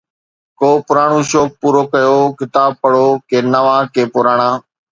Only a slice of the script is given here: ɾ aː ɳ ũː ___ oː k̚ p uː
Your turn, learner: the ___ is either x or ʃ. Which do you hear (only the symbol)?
ʃ